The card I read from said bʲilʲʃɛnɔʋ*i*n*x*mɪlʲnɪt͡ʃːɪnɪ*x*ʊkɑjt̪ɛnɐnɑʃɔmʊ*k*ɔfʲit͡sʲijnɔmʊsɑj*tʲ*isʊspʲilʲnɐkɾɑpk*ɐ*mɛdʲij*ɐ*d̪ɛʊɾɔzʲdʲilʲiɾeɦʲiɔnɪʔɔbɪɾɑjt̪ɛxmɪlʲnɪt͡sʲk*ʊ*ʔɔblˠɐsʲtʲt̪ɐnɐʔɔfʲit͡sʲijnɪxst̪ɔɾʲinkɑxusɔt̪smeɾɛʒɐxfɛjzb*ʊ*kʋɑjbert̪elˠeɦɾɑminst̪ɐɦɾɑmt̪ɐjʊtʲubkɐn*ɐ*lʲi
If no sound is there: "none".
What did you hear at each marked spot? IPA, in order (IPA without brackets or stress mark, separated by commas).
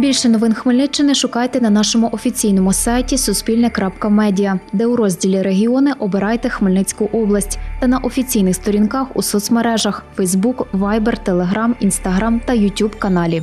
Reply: ɪ, x, ʃ, ʔ, tʲ, ɐ, ɐ, ʊ, u, ɑ